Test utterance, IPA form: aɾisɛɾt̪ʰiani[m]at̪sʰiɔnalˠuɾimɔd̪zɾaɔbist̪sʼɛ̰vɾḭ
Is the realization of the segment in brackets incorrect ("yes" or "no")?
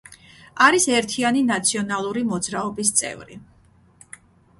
yes